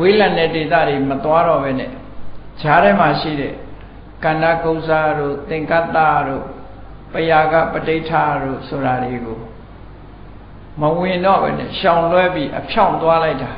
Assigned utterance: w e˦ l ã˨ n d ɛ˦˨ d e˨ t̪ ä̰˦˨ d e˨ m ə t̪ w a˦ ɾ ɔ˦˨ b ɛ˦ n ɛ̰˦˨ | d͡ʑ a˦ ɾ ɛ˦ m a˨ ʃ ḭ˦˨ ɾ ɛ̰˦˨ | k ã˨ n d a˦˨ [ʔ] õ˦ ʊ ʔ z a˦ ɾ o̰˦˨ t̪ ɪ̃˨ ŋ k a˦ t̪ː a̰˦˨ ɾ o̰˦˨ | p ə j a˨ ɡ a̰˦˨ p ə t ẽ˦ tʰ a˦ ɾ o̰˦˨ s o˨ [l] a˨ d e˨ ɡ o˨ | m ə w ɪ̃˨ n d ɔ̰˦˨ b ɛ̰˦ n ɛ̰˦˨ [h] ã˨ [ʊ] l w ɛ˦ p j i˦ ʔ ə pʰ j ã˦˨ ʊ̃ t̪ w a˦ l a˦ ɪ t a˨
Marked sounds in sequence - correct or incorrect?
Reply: incorrect: k, incorrect: ɾ, incorrect: ʃ, incorrect: ʊ̃

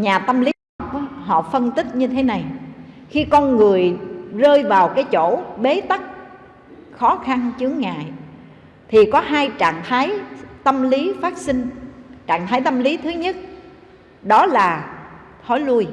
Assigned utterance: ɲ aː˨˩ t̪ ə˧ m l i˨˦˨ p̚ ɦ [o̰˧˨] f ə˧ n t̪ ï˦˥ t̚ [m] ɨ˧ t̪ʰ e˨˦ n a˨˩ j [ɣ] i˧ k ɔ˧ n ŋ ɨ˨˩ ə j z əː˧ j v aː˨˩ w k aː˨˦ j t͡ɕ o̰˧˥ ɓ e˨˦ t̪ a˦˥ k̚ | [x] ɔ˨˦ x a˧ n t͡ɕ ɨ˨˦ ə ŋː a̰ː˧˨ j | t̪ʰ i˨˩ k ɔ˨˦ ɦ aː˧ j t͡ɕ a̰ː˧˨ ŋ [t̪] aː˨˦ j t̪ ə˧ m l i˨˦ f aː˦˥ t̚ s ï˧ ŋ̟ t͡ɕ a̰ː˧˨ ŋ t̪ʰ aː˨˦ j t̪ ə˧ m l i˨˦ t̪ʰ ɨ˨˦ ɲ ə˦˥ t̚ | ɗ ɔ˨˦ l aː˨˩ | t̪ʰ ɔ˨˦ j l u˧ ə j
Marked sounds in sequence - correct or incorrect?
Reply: incorrect: ɔ̰˧˨, incorrect: ɲ, incorrect: x, correct, incorrect: t̪ʰ

